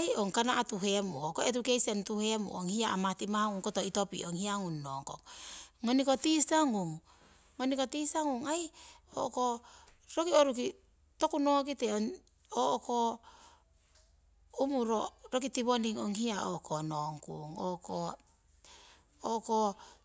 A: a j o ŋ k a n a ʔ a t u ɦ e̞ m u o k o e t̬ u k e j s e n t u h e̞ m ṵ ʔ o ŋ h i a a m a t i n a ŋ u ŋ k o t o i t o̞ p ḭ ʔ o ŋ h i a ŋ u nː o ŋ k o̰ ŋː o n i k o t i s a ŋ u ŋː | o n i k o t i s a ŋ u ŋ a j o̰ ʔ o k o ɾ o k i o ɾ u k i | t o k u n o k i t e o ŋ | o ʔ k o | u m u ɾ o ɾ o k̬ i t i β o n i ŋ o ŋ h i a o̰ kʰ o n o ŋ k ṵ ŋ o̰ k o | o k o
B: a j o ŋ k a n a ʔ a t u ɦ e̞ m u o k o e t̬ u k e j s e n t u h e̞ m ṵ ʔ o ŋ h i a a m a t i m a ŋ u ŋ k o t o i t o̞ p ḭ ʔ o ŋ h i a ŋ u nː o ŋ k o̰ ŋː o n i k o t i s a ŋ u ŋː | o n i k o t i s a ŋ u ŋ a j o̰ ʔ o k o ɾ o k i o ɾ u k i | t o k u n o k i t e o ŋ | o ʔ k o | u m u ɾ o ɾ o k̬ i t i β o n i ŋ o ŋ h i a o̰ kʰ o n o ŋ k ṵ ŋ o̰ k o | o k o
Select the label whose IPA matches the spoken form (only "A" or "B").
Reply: B